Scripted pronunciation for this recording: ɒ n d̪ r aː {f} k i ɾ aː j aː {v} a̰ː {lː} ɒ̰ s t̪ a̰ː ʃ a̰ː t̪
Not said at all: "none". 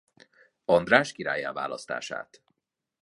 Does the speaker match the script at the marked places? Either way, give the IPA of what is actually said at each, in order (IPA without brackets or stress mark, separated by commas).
ʃ, v, l